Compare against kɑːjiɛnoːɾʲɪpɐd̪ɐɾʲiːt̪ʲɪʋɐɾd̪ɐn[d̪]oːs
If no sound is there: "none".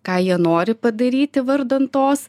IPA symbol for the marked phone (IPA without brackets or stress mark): t̪